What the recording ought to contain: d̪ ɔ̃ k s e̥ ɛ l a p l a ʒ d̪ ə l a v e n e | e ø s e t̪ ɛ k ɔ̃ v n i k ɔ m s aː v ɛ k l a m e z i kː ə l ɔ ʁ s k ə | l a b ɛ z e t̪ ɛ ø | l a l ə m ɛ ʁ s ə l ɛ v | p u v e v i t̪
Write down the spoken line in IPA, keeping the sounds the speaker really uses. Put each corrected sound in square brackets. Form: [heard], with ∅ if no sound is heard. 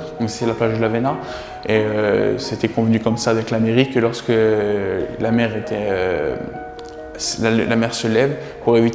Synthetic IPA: d̪ ɔ̃ k s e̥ ɛ l a p l a ʒ d̪ ə l a v e n [a] | e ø s e t̪ ɛ k ɔ̃ v n [y] k ɔ m s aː v ɛ k l a m e [ʁ] i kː ə l ɔ ʁ s k ə | l a [m] ɛ [ʁ] e t̪ ɛ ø | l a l [a] m ɛ ʁ s ə l ɛ v | p u [ʁ] e v i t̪